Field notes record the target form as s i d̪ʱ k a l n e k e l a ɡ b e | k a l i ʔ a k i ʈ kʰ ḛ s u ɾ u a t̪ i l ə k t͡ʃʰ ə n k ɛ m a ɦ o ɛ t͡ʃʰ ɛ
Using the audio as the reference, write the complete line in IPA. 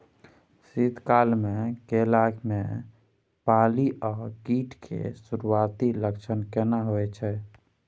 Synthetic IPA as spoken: s i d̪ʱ k a l m e k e l a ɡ m e | p a l i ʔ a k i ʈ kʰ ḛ s u ɾ u a t̪ i l ə k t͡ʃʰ ə n k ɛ n a ɦ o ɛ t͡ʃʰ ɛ